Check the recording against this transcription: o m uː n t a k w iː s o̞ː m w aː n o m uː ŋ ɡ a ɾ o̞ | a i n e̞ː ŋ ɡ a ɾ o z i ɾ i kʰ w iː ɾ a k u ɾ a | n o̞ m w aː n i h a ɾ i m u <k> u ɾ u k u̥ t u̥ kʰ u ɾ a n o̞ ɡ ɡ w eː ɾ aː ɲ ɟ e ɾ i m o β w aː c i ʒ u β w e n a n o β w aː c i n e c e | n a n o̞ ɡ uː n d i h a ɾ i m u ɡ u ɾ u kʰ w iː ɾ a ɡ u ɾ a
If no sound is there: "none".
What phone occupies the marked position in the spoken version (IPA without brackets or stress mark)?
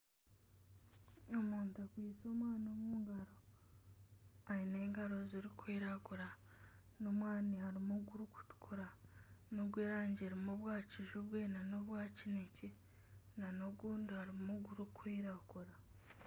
ɡ